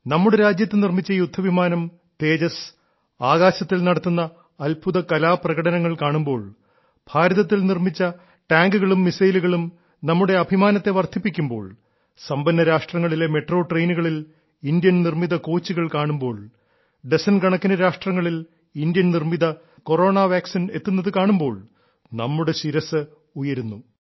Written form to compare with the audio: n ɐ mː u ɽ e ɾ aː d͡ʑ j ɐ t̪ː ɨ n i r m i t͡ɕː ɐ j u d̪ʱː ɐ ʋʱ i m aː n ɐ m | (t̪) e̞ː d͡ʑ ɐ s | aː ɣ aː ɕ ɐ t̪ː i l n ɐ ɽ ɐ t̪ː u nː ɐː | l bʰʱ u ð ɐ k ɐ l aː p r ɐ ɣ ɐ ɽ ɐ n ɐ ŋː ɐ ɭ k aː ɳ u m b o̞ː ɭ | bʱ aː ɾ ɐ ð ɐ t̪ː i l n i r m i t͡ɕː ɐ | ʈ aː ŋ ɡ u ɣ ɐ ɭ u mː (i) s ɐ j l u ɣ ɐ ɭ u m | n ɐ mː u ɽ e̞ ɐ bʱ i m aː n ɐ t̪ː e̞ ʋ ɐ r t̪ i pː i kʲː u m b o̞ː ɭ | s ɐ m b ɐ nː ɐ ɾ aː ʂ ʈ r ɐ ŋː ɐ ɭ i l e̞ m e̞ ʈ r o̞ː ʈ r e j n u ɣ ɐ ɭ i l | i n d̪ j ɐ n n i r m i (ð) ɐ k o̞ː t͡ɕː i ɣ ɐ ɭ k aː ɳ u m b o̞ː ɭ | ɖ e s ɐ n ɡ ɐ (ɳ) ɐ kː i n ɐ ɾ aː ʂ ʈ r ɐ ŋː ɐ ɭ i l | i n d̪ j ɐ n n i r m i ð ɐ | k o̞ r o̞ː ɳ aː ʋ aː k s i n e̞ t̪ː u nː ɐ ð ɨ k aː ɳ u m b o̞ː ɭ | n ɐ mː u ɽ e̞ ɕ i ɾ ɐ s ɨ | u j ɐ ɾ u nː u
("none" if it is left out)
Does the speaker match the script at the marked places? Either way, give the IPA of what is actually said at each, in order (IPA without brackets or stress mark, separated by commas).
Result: t̪, i, ð, ɳ